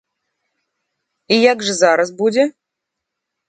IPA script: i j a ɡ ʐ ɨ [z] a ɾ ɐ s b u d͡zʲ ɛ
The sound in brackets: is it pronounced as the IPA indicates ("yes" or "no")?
yes